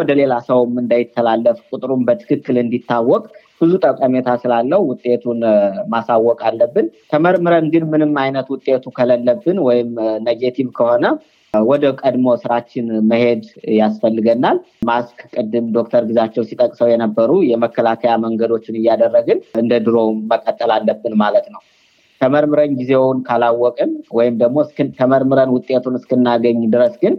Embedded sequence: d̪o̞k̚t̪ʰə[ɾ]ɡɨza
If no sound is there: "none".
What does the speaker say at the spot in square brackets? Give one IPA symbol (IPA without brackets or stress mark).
ɾ